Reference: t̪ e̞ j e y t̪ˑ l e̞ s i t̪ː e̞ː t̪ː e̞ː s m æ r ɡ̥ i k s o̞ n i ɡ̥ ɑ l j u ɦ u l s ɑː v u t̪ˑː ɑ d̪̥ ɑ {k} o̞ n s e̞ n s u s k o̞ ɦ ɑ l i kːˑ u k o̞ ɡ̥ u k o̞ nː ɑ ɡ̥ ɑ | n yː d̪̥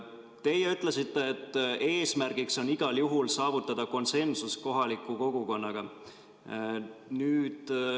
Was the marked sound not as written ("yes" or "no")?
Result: no